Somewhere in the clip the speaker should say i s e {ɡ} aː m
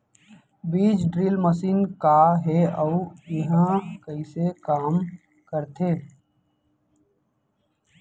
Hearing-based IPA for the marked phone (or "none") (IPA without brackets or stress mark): k